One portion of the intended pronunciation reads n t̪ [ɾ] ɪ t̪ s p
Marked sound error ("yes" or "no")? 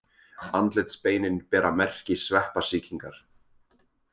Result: yes